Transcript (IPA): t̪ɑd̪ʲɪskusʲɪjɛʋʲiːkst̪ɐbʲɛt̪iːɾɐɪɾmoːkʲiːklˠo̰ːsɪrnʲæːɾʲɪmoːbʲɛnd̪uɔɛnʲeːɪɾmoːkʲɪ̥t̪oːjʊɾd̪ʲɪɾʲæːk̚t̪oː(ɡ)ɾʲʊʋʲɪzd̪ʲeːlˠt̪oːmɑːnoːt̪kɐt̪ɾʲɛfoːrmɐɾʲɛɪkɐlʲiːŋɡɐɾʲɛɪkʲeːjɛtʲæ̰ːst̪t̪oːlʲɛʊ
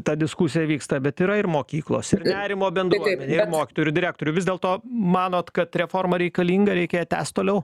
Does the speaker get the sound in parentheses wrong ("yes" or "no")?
yes